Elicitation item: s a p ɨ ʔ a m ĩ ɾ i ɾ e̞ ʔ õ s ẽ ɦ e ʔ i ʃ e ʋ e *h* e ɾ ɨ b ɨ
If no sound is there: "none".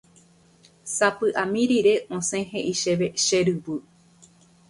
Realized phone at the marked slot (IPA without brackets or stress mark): ʃ